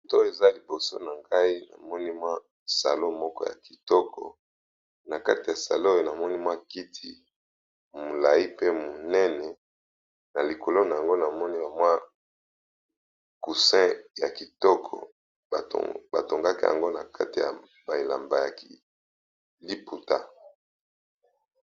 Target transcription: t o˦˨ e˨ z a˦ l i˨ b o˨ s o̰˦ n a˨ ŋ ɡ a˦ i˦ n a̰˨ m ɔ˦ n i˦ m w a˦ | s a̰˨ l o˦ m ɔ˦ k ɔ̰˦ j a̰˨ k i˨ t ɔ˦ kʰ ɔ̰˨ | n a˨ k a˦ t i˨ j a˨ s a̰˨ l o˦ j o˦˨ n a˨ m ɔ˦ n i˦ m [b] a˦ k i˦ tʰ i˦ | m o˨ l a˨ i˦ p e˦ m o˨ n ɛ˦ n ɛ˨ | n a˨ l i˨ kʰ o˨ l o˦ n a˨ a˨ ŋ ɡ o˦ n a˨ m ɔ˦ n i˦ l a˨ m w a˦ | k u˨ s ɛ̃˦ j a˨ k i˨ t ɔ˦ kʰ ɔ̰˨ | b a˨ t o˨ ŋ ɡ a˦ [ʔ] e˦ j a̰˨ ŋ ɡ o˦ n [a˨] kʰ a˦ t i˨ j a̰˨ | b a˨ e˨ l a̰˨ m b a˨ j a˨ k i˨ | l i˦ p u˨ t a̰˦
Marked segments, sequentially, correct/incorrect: incorrect: w, incorrect: k, correct

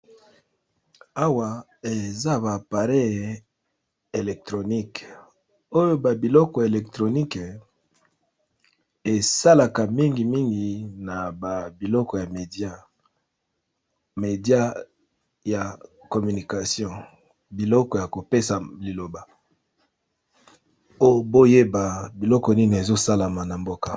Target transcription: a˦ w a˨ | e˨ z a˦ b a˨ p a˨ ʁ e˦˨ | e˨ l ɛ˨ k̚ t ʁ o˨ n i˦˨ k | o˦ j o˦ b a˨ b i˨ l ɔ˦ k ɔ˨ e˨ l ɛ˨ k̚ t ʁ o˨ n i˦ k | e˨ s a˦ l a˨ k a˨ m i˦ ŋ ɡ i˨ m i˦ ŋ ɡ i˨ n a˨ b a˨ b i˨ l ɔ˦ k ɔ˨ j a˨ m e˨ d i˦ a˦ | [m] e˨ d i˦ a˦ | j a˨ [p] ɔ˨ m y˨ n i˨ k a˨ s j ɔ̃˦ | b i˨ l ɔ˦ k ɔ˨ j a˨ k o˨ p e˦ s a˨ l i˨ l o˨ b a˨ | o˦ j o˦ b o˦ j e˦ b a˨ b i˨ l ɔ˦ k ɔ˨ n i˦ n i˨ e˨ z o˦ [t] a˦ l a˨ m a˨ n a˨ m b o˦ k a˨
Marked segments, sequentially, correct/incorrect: correct, incorrect: k, incorrect: s

